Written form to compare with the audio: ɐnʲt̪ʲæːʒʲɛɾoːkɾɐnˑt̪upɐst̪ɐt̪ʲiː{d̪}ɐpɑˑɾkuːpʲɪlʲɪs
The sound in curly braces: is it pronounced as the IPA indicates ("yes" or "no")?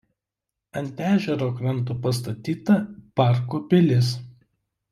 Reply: no